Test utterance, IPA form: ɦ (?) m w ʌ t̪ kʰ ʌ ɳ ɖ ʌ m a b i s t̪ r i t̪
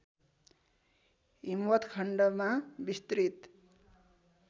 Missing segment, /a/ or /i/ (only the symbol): i